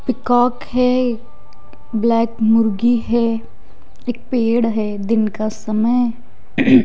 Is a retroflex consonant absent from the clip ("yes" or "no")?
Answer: no